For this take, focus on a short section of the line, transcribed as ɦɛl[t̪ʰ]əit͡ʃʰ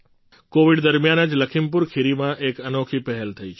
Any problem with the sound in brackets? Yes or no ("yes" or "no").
no